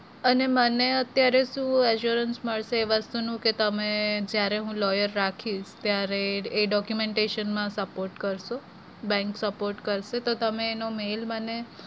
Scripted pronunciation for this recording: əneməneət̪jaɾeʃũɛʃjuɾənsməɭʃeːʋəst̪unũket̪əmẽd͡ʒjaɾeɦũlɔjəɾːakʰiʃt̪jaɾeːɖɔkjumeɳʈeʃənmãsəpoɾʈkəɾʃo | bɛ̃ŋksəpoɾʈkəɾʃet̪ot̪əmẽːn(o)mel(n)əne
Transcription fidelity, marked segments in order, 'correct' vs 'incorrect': correct, incorrect

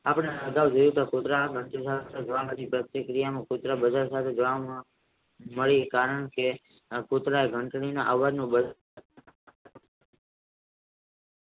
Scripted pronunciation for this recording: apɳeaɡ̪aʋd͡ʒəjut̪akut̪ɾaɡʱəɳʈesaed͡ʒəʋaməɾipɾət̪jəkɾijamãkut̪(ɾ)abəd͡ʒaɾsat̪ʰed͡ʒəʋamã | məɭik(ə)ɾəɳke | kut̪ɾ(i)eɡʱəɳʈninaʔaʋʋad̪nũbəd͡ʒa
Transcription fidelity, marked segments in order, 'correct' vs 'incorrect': correct, incorrect, incorrect

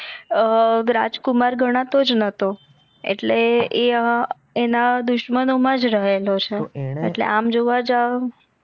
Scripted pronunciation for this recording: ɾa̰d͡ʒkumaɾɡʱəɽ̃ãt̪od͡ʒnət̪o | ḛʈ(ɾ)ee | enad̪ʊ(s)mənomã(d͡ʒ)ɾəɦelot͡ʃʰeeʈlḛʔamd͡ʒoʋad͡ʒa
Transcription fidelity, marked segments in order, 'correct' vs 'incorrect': incorrect, incorrect, correct

